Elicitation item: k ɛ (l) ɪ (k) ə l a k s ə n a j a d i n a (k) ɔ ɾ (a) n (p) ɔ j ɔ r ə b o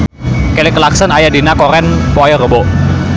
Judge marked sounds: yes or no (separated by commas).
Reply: yes, yes, yes, no, yes